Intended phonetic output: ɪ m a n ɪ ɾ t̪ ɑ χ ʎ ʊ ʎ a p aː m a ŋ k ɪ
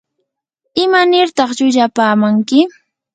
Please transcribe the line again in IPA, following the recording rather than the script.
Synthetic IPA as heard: ɪ m a n ɪ ɾ t̪ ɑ χ ʎ ʊ ʎ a p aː m a ŋ k ɪ